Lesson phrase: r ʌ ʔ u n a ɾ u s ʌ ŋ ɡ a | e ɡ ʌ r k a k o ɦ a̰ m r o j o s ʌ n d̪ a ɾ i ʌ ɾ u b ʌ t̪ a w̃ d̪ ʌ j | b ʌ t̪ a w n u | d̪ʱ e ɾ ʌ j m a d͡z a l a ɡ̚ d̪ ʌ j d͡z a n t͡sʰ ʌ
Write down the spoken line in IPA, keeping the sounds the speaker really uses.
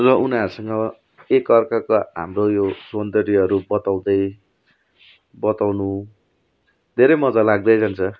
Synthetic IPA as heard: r ʌ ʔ u n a ɾ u s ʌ ŋ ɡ ʌ | e k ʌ r k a k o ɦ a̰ m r o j o s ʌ n d̪ ʌ ɾ i ʌ ɾ u b ʌ t̪ a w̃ d̪ ʌ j | b ʌ t̪ a w n u | d̪ʱ e ɾ ʌ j m ʌ d͡z a l a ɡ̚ d̪ ʌ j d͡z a n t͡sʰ ʌ

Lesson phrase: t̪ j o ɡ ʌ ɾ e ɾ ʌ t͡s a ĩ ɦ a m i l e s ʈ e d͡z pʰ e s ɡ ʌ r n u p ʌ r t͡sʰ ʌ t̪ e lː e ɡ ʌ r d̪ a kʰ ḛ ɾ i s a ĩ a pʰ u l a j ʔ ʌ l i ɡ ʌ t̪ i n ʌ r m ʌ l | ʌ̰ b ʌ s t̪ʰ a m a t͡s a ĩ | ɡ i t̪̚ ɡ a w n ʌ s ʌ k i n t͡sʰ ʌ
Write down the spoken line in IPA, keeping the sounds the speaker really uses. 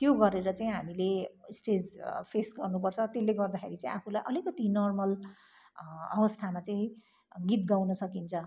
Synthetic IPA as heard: t̪ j o ɡ ʌ ɾ e ɾ ʌ t͡s a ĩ ɦ a m i l e s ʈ e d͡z pʰ e s ɡ ʌ r n u p ʌ r t͡sʰ ʌ t̪ e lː e ɡ ʌ r d̪ a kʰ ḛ ɾ i t͡s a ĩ a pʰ u l a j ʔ ʌ l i k ʌ t̪ i n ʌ r m ʌ l | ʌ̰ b ʌ s t̪ʰ a m a t͡s a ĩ | ɡ i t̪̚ ɡ a w n ʌ s ʌ k i n t͡sʰ ʌ

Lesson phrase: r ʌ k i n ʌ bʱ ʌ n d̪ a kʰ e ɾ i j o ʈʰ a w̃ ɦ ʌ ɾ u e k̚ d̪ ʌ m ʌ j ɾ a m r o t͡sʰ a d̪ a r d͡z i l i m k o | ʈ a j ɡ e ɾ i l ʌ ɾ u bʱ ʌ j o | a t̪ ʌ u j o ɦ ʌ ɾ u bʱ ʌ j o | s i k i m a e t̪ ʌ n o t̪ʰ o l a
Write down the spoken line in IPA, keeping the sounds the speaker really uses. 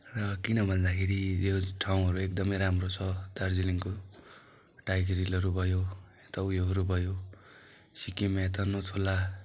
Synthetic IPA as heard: r ʌ k i n ʌ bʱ ʌ n d̪ a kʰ e ɾ i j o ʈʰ a w̃ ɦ ʌ ɾ u e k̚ d̪ ʌ m ʌ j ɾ a m r o t͡sʰ ʌ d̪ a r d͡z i l i ŋ k o | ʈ a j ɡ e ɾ i l ʌ ɾ u bʱ ʌ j o | e t̪ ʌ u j o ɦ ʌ ɾ u bʱ ʌ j o | s i k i m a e t̪ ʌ n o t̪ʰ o l a

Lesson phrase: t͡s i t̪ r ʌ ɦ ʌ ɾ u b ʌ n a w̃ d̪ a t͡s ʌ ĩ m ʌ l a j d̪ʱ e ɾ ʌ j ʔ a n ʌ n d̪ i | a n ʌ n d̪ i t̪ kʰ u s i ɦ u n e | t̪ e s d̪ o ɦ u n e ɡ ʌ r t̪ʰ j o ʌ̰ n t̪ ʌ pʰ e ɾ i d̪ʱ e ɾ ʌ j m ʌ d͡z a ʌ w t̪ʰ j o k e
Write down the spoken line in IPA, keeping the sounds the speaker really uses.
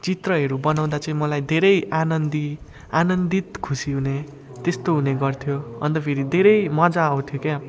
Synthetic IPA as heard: t͡s i t̪ r ʌ ɦ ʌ ɾ u b ʌ n a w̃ d̪ a t͡s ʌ ĩ m ʌ l a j d̪ʱ e ɾ ʌ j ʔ a n ʌ n d̪ i | a n ʌ n d̪ i t̪ kʰ u s i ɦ u n e | t̪ e s t̪ o ɦ u n e ɡ ʌ r t̪ʰ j o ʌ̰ n t̪ ʌ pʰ e ɾ i d̪ʱ e ɾ ʌ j m ʌ d͡z a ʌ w t̪ʰ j o k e

